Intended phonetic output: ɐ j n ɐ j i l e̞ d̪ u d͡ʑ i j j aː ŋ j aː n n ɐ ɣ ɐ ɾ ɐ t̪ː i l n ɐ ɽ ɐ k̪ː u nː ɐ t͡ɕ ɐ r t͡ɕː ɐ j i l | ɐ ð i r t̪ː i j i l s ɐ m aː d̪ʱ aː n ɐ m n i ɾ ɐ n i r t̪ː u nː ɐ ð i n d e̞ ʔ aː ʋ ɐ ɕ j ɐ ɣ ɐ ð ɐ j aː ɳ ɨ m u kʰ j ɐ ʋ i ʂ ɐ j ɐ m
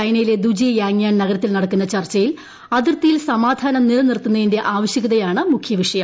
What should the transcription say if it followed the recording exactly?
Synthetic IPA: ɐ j n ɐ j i l e̞ d̪ u d͡ʑ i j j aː ŋ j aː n n ɐ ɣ ɐ ɾ ɐ t̪ː i l n ɐ ɽ ɐ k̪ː u nː ɐ t͡ɕ ɐ r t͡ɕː ɐ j i l | ɐ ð i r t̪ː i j i l s ɐ m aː d̪ʱ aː n ɐ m n i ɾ ɐ n i r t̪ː u nː ɐ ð i n d e̞ ʔ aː ʋ ɐ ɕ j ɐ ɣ ɐ ð ɐ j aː ɳ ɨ m u kʰ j ɐ ʋ i ʂ ɐ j ɐ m